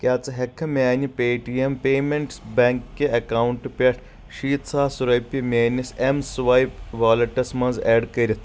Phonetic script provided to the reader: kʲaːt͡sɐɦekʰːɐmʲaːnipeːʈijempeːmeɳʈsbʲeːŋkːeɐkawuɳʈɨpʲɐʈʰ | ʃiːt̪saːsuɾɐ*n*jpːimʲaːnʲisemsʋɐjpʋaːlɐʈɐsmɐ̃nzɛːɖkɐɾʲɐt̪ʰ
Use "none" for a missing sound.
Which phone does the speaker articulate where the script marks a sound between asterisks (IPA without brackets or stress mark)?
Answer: none